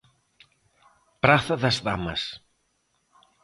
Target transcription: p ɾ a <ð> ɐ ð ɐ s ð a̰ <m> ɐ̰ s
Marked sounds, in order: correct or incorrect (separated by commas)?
incorrect, correct